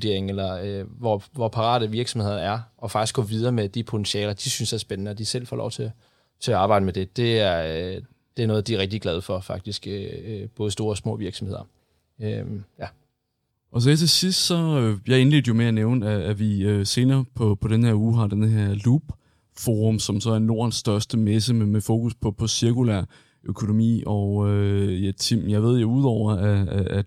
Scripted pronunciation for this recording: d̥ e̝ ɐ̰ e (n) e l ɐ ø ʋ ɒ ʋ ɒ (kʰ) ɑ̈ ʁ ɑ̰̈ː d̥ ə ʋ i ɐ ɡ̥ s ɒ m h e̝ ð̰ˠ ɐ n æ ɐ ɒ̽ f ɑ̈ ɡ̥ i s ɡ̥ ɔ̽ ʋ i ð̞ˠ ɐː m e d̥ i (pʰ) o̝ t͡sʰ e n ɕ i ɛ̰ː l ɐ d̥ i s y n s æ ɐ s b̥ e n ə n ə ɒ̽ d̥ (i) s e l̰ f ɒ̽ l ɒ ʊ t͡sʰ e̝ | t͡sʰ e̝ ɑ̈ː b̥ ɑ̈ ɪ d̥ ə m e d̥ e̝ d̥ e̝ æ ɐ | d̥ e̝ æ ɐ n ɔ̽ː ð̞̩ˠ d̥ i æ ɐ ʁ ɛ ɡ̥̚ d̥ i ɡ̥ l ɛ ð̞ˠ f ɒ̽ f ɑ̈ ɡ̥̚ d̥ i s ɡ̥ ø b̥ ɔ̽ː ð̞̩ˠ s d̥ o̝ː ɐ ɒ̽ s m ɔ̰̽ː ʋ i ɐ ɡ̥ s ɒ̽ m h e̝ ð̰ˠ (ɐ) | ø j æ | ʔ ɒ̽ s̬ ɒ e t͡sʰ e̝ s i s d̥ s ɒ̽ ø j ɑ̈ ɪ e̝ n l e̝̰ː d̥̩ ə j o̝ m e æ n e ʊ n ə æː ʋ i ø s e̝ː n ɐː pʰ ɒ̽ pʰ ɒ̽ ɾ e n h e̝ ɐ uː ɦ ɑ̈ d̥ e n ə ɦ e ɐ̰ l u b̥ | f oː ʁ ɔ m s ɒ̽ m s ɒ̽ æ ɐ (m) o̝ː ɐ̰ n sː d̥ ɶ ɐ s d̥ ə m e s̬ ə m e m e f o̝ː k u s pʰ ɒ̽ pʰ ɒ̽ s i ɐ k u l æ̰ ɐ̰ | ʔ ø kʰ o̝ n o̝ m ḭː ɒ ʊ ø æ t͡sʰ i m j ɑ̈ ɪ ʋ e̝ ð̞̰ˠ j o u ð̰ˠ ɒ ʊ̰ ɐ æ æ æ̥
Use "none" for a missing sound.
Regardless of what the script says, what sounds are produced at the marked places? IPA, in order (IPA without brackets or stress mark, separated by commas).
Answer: ŋ, pʰ, pʰ, i, ɐ, n